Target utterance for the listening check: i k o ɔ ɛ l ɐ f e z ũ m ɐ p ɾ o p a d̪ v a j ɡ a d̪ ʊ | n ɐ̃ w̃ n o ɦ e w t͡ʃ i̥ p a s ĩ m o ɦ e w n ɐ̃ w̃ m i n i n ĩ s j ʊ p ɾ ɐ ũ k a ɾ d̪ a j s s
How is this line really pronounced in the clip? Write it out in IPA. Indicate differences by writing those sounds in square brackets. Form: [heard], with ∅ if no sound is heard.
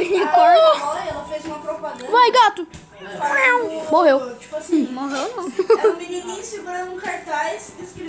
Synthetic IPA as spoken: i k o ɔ ɛ l ɐ f e z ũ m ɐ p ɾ o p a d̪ v a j ɡ a [t̪] ʊ | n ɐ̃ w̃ [m] o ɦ e w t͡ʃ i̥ p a s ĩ m o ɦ e w n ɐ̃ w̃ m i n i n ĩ s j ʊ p ɾ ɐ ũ k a ɾ [t̪] a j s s